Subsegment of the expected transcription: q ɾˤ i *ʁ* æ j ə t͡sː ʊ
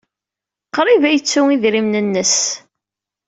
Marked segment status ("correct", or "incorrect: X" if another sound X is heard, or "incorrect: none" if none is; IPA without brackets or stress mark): incorrect: v